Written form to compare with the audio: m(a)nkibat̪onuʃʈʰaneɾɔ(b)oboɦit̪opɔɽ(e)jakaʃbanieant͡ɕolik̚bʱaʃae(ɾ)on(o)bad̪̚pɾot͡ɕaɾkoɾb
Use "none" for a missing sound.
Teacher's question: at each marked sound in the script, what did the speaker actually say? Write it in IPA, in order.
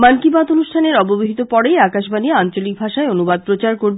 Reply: a, b, e, none, u

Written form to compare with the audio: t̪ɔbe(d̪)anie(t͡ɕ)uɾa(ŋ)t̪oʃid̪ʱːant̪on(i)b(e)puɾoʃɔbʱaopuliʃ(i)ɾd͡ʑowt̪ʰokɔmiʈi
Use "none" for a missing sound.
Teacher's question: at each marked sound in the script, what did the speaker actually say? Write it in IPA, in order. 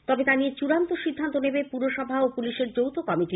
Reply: t̪, t͡ɕ, n, e, e, e

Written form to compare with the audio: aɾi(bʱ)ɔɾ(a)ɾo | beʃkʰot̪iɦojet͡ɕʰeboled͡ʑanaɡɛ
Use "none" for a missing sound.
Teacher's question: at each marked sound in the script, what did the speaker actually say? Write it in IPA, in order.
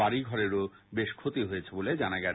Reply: ɡʱ, e

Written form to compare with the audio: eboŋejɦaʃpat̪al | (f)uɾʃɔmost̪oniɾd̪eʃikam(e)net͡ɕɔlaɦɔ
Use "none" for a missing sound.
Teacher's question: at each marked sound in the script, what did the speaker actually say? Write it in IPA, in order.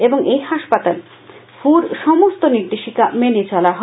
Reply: f, e

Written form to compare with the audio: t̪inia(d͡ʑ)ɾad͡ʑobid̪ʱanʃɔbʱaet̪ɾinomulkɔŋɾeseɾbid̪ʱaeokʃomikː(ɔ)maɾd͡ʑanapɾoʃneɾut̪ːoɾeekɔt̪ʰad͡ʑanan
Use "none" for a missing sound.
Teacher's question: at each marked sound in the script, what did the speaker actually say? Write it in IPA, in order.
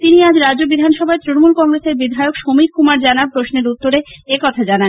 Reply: d͡ʑ, u

